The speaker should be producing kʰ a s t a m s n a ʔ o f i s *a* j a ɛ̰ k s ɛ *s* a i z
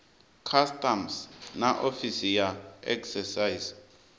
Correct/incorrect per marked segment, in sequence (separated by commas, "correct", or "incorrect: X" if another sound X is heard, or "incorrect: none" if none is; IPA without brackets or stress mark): incorrect: i, correct